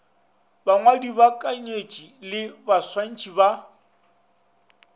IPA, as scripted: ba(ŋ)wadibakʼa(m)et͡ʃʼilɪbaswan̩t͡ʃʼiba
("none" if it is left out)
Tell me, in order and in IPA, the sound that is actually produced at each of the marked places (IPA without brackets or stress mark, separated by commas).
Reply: ŋ, ɲ